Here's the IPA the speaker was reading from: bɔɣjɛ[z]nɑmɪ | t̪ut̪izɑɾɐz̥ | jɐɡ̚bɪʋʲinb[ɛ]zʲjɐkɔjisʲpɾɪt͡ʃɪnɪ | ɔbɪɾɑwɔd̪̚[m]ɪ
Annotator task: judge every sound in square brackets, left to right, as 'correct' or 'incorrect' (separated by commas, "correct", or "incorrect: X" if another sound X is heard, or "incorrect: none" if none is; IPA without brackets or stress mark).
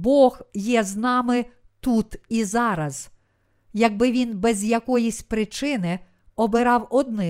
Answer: correct, correct, incorrect: n